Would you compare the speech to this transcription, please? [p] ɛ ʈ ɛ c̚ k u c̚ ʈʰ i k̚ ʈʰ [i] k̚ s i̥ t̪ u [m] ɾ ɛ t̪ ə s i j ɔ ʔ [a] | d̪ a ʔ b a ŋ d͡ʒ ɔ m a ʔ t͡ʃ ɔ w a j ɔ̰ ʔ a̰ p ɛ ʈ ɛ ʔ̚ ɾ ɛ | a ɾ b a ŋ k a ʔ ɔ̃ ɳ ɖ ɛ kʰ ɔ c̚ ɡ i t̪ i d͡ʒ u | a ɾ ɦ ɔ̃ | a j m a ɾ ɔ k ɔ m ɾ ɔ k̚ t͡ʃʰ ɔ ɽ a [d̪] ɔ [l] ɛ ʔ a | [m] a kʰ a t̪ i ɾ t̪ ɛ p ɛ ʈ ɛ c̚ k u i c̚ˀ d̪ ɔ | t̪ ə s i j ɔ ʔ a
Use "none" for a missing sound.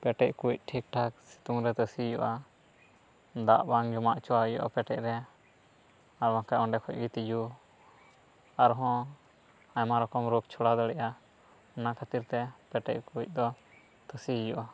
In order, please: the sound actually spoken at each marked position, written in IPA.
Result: p, a, ŋ, a, d̪, ɽ, n

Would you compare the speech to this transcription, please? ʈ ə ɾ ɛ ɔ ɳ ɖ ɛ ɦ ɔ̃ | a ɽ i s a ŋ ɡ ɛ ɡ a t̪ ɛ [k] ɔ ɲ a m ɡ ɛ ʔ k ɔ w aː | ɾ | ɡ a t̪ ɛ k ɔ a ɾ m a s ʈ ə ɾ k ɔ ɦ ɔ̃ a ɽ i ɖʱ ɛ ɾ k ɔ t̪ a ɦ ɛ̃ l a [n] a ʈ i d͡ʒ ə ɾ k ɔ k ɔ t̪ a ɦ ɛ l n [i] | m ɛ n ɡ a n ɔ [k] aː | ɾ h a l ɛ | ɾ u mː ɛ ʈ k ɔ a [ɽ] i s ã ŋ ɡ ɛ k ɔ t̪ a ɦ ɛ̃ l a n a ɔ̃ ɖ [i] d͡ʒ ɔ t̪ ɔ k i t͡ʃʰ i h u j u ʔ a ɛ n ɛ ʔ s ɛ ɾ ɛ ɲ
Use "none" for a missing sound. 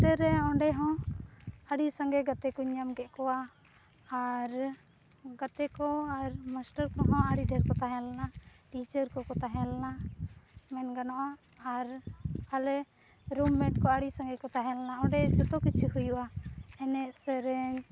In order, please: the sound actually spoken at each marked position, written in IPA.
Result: k, n, a, ʔ, ɽ, ɛ

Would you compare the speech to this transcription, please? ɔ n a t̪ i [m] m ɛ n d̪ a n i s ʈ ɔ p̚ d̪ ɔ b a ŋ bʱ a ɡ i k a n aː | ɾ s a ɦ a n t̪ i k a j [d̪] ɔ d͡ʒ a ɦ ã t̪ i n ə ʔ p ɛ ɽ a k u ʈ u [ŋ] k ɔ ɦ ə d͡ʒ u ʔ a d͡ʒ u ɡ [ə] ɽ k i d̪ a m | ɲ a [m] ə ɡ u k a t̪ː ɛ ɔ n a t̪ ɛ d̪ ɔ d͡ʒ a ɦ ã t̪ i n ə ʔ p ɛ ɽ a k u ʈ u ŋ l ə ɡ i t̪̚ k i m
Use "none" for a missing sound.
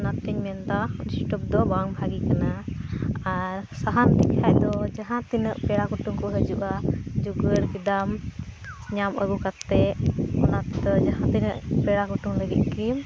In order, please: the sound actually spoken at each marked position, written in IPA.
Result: ɲ, d̪, ŋ, ə, m

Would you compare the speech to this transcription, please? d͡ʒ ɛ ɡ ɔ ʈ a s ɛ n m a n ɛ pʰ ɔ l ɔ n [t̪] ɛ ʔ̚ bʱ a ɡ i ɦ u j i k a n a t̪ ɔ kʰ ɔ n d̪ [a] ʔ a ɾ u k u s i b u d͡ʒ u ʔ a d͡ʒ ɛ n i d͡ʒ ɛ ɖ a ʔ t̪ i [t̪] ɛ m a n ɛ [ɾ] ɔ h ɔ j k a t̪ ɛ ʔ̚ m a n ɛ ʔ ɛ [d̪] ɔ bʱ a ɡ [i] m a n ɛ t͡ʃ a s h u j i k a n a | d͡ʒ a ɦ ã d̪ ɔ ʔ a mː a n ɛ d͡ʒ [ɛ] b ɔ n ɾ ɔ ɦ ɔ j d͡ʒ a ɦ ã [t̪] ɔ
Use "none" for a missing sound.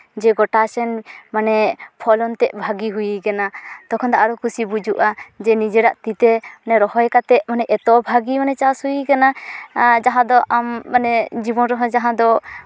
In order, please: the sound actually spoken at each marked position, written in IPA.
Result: t̪, a, t̪, ɾ, t̪, i, i, d̪

